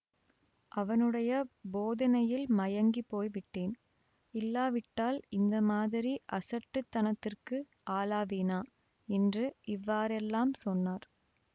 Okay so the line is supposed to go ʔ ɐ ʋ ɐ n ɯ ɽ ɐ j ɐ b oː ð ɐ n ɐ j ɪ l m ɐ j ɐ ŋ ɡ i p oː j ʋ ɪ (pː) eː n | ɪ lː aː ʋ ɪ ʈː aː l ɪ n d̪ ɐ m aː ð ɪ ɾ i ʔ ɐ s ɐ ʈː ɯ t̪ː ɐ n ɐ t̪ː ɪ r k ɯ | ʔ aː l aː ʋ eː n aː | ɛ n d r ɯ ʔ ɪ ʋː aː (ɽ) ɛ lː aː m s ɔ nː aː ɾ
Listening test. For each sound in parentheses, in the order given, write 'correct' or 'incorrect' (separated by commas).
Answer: incorrect, incorrect